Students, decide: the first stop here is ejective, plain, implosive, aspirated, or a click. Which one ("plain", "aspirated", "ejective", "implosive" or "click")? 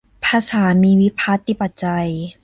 aspirated